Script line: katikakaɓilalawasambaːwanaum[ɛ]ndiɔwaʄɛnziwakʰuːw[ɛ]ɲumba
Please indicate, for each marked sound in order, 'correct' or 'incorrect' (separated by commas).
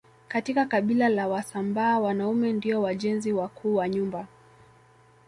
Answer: correct, incorrect